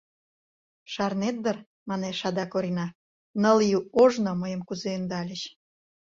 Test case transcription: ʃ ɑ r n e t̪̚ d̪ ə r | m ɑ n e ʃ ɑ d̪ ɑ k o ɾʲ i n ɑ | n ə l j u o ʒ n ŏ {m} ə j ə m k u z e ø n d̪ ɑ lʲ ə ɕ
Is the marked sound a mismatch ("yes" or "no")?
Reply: no